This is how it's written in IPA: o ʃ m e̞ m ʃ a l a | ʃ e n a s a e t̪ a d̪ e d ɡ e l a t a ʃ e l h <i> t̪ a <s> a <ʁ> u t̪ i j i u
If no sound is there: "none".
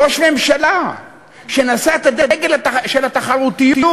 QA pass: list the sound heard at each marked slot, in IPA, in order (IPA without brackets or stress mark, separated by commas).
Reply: a, χ, ʁ